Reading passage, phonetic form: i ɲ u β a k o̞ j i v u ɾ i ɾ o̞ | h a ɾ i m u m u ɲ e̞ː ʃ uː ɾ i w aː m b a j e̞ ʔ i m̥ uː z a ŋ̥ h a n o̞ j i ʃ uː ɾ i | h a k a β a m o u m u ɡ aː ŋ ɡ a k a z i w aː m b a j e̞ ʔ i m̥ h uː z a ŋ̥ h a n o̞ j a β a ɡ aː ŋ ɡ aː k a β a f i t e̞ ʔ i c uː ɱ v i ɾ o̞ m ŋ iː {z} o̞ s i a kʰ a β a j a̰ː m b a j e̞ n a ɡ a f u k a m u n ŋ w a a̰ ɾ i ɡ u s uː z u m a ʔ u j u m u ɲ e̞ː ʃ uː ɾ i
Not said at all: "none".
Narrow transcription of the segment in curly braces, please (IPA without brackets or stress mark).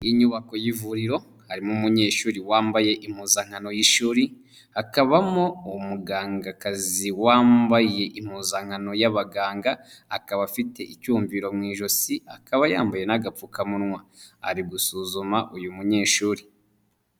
ʒ